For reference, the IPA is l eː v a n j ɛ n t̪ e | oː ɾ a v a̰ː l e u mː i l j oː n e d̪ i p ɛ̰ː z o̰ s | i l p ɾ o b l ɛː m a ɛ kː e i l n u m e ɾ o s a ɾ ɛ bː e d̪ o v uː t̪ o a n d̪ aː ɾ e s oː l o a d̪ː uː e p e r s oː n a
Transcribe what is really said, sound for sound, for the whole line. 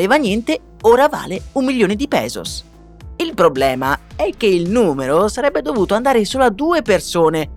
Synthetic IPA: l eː v a n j ɛ n t̪ e | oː ɾ a v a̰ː l e u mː i l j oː n e d̪ i p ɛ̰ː z o̰ s | i l p ɾ o b l ɛː m a ɛ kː e i l n uː m e ɾ o s a ɾ ɛ bː e d̪ o v uː t̪ o a n d̪ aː ɾ e s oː l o a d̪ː uː e p e r s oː n e